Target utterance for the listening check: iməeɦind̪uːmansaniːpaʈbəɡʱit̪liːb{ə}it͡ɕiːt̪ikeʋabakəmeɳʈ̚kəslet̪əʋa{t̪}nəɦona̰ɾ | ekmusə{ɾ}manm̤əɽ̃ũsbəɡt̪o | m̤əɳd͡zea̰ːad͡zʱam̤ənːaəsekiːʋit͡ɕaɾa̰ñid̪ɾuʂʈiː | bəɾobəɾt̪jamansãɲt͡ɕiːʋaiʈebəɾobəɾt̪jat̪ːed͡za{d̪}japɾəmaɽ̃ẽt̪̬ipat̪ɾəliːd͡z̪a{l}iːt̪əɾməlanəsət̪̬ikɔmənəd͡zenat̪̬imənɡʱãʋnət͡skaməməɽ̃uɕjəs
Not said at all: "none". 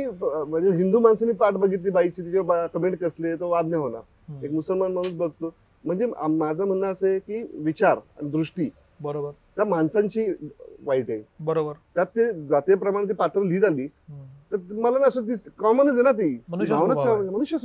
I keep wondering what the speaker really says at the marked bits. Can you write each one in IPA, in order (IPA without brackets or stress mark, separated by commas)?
a, d̪, l, t̪, l